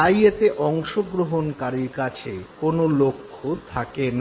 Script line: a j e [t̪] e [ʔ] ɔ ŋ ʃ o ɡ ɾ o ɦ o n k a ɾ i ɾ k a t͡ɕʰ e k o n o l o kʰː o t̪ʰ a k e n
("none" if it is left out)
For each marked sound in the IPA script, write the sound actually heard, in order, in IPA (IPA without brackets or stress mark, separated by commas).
t̪, ʔ